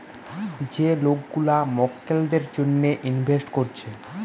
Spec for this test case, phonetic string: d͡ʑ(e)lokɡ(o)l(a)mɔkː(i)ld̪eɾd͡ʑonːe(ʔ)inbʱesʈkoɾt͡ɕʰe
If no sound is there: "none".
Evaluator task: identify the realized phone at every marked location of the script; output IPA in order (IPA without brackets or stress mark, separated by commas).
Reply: e, u, a, e, ʔ